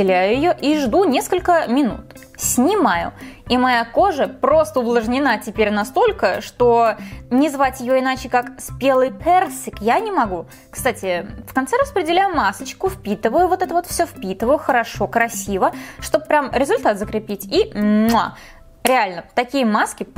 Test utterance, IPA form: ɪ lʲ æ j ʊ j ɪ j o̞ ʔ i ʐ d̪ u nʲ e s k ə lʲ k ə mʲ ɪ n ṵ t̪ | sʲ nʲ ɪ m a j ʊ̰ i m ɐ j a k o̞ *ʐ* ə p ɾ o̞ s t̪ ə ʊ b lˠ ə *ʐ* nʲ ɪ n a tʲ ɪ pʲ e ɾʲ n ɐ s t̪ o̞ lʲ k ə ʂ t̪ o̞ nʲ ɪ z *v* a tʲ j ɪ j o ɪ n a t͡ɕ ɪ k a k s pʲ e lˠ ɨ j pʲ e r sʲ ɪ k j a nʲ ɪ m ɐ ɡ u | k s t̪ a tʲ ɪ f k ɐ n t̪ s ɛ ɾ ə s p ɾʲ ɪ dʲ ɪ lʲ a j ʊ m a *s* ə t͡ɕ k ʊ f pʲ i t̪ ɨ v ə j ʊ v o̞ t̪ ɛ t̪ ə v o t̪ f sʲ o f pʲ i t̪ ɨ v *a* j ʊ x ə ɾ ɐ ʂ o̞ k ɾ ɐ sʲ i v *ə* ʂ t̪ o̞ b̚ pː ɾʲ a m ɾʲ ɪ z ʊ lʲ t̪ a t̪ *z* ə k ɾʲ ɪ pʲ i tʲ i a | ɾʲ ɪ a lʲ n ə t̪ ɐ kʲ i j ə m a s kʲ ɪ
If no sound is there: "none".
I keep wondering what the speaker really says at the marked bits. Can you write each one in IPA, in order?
ʐ, ʐ, v, s, ə, ə, z

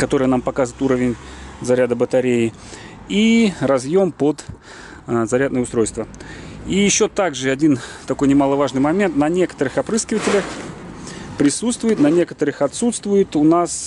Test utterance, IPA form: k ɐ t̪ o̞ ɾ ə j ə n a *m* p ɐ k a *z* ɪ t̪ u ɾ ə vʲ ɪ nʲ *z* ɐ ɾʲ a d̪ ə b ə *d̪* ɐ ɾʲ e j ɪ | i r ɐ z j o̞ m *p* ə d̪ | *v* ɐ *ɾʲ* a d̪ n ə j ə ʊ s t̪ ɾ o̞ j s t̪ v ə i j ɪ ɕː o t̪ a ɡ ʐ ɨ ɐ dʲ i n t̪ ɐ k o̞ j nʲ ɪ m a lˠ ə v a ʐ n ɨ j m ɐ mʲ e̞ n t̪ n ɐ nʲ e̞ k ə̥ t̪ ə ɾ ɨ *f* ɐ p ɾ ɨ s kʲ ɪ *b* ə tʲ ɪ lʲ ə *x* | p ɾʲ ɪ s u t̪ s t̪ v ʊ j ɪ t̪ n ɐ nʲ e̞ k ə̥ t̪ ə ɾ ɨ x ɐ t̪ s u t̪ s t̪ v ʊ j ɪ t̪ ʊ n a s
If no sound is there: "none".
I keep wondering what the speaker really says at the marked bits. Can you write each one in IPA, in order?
m, z, z, t̪, p, z, ɾʲ, x, v, x

